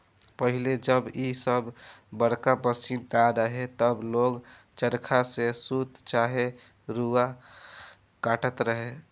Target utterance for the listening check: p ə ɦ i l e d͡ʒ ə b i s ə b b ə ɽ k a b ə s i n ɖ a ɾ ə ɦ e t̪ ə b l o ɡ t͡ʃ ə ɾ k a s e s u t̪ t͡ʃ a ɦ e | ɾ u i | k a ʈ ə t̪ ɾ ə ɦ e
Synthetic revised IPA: p ə ɦ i l e d͡ʒ ə b i s ə b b ə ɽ k a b ə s i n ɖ a ɾ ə ɦ e t̪ ə b l o ɡ t͡ʃ ə ɾ kʰ a s e s u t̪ t͡ʃ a ɦ e | ɾ u a | k a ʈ ə t̪ ɾ ə ɦ e